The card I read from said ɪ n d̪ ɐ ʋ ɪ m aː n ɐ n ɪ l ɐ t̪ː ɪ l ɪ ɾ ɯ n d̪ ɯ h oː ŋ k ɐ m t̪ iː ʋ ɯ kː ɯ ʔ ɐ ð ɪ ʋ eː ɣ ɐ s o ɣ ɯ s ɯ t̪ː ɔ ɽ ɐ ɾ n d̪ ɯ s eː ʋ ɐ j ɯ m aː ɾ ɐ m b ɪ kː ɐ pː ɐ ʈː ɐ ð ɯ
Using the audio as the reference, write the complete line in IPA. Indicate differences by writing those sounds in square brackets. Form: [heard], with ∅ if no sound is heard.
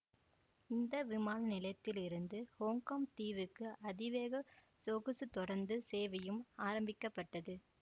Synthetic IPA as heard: ɪ n d̪ ɐ ʋ ɪ m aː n ɐ n ɪ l ɐ t̪ː ɪ l ɪ ɾ ɯ n d̪ ɯ h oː ŋ k ɐ m t̪ iː ʋ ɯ kː ɯ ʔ ɐ ð ɪ ʋ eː ɣ ɐ s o ɣ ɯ s ɯ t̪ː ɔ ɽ ɐ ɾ n d̪ ɯ s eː ʋ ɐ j ɯ m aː ɾ ɐ m b ɪ kː ɐ pː ɐ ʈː ɐ ð ɯ

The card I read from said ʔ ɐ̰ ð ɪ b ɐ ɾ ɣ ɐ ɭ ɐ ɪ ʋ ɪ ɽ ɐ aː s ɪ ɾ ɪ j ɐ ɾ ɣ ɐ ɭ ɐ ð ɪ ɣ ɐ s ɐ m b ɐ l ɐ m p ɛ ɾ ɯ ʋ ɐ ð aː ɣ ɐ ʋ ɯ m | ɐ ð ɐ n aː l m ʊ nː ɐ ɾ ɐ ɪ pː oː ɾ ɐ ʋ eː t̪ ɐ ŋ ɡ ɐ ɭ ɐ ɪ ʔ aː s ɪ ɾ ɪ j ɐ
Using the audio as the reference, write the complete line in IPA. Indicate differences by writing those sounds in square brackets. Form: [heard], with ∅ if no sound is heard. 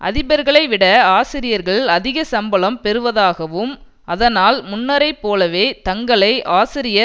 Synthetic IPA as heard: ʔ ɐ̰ ð ɪ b ɐ ɾ ɣ ɐ ɭ ɐ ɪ ʋ ɪ ɽ ɐ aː s ɪ ɾ ɪ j ɐ ɾ ɣ ɐ ɭ ɐ ð ɪ ɣ ɐ s ɐ m b ɐ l ɐ m p ɛ ɾ ɯ ʋ ɐ ð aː ɣ ɐ ʋ ɯ m | ɐ ð ɐ n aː l m ʊ nː ɐ ɾ ɐ ɪ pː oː [l] ɐ ʋ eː t̪ ɐ ŋ ɡ ɐ ɭ ɐ ɪ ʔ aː s ɪ ɾ ɪ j ɐ

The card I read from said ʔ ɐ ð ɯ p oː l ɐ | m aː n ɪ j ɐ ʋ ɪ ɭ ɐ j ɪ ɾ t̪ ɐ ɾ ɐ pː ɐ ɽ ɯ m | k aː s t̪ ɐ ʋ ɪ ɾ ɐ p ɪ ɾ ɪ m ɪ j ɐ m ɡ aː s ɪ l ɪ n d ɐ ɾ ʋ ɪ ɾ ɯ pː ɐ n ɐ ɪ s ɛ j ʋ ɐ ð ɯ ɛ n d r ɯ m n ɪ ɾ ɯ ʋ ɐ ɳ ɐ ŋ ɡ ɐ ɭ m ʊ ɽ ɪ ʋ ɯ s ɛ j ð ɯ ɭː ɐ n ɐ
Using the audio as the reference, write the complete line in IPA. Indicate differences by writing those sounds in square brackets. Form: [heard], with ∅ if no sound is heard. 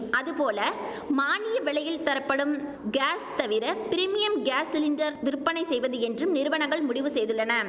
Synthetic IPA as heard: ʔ ɐ ð ɯ p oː l ɐ | m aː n ɪ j ɐ ʋ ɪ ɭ ɐ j ɪ [l] t̪ ɐ ɾ ɐ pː ɐ ɽ ɯ m | [ɡ] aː s t̪ ɐ ʋ ɪ ɾ ɐ p ɪ ɾ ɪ m ɪ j ɐ m ɡ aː s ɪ l ɪ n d ɐ ɾ ʋ ɪ ɾ ɯ pː ɐ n ɐ ɪ s ɛ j ʋ ɐ ð ɯ ɛ n d r ɯ m n ɪ ɾ ɯ ʋ ɐ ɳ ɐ ŋ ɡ ɐ ɭ m ʊ ɽ ɪ ʋ ɯ s ɛ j ð ɯ ɭː ɐ n ɐ

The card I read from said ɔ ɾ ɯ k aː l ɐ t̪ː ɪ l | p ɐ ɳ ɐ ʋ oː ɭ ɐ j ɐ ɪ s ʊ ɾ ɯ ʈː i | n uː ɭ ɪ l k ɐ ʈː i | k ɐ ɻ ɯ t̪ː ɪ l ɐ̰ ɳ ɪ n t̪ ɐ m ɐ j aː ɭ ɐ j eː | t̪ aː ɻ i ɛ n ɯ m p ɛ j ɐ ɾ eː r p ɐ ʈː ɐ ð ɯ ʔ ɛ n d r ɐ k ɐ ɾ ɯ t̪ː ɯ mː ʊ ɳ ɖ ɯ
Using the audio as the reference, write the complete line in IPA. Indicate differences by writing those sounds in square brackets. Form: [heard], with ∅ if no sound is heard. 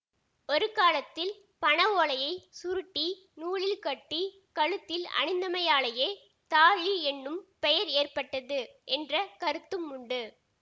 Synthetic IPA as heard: ɔ ɾ ɯ k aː l ɐ t̪ː ɪ l | p ɐ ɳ ɐ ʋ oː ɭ ɐ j ɐ ɪ s ʊ ɾ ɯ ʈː i | n uː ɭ ɪ l k ɐ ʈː i | k ɐ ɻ ɯ t̪ː ɪ l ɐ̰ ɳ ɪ n [d̪] ɐ m ɐ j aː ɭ ɐ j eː | t̪ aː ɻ i ɛ [nː] ɯ m p ɛ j ɐ ɾ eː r p ɐ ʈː ɐ ð ɯ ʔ ɛ n d r ɐ k ɐ ɾ ɯ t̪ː ɯ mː ʊ ɳ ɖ ɯ

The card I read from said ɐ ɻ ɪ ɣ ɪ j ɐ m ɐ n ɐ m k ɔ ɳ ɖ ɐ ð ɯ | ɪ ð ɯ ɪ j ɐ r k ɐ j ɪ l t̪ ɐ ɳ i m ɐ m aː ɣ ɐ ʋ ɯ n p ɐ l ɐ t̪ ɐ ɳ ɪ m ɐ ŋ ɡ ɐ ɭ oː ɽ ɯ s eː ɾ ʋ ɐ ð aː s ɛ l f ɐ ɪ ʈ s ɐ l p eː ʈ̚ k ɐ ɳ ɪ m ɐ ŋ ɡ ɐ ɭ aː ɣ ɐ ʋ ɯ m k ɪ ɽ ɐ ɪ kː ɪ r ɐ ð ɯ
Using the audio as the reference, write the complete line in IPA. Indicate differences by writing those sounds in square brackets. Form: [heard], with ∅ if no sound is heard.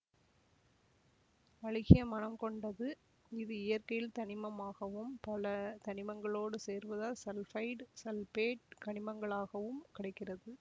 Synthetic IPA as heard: ɐ ɻ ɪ ɣ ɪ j ɐ m ɐ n ɐ m k ɔ ɳ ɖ ɐ ð ɯ | ɪ ð ɯ ɪ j ɐ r k ɐ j ɪ l t̪ ɐ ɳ [ɪ] m ɐ m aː ɣ ɐ ʋ ɯ [m] p ɐ l ɐ t̪ ɐ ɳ ɪ m ɐ ŋ ɡ ɐ ɭ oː ɽ ɯ s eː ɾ ʋ ɐ ð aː s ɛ l f ɐ ɪ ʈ s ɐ l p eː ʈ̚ k ɐ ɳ ɪ m ɐ ŋ ɡ ɐ ɭ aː ɣ ɐ ʋ ɯ m k ɪ ɽ ɐ ɪ kː ɪ r ɐ ð ɯ

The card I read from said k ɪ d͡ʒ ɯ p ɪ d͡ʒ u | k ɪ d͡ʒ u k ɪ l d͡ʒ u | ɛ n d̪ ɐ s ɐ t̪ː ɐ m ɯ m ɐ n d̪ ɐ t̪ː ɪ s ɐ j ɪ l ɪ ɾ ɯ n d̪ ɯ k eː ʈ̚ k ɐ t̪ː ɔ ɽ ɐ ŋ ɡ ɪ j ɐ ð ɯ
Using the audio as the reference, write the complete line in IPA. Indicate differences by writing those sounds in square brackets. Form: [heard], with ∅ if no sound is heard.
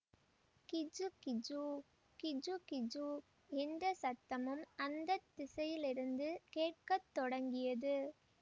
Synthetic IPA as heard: k ɪ d͡ʒ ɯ [k] ɪ d͡ʒ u | k ɪ d͡ʒ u k ɪ [∅] d͡ʒ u | ɛ n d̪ ɐ s ɐ t̪ː ɐ m ɯ m ɐ n d̪ ɐ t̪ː ɪ s ɐ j ɪ l ɪ ɾ ɯ n d̪ ɯ k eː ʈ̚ k ɐ t̪ː ɔ ɽ ɐ ŋ ɡ ɪ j ɐ ð ɯ

